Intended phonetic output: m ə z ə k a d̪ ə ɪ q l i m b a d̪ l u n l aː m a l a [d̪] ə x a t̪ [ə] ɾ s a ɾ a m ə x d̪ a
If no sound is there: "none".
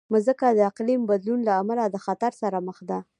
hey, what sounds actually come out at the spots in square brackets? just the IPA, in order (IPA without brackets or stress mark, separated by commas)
d̪, a